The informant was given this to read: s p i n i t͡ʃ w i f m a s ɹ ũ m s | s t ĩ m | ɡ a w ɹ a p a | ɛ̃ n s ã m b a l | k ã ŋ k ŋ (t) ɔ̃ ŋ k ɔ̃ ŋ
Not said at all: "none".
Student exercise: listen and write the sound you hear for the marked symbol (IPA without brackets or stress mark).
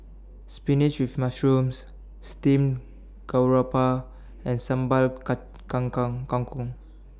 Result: k